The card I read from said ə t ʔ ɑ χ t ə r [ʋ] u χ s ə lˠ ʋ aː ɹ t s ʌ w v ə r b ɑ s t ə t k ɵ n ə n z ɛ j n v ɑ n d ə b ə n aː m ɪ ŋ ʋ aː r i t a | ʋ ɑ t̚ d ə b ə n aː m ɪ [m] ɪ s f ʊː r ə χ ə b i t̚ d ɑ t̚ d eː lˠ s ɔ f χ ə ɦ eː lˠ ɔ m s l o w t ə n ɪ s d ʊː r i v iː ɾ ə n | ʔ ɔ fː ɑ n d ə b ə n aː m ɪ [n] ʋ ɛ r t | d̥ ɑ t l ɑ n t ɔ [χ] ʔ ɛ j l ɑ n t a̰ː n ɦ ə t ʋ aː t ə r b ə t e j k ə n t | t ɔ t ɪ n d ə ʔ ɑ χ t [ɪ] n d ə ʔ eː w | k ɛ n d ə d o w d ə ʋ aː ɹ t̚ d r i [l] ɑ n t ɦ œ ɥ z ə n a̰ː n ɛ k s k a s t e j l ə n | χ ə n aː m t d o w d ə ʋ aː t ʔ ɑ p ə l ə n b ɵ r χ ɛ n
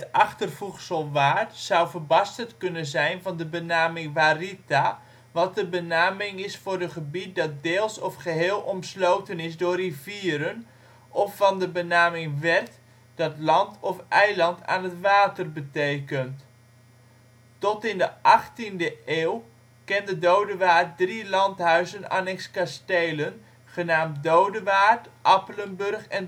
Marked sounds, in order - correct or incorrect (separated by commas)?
incorrect, incorrect, incorrect, incorrect, incorrect, correct